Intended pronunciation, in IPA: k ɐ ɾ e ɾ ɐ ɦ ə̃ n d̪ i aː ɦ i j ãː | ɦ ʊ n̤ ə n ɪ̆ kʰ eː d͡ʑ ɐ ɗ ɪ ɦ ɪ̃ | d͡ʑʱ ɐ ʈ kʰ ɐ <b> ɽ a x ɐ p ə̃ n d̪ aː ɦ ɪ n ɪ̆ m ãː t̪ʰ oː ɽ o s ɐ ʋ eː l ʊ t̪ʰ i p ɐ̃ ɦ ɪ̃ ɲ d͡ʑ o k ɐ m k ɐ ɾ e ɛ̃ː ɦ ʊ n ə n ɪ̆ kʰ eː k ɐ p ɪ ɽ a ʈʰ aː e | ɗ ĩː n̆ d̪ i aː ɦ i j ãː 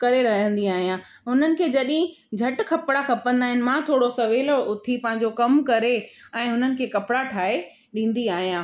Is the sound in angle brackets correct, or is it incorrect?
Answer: incorrect